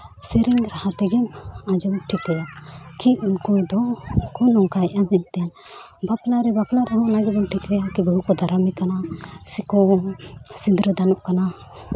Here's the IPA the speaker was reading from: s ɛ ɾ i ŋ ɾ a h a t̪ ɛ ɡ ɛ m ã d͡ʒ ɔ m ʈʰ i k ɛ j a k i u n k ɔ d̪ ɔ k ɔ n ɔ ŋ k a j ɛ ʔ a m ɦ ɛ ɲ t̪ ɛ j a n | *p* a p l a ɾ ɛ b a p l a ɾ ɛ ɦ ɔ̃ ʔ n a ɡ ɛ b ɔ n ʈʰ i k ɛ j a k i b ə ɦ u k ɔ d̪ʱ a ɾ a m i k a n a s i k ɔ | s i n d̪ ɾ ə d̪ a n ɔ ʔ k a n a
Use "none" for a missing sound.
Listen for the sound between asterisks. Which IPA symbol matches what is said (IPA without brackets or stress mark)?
b